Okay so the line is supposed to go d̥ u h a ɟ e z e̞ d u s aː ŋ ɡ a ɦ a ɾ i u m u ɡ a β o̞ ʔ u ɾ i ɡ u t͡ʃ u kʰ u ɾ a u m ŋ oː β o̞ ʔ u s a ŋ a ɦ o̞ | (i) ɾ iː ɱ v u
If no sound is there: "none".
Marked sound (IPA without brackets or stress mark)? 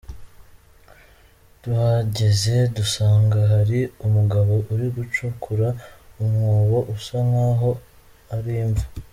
a